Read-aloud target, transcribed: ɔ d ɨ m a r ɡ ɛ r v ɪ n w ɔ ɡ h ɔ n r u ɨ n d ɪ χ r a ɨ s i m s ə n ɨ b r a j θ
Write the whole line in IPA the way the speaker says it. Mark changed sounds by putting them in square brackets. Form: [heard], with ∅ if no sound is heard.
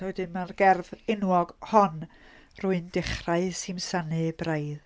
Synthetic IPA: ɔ d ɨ m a r ɡ ɛ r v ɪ n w ɔ ɡ h ɔ n r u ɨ n d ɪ χ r a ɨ s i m s [a] n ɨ b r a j [ð]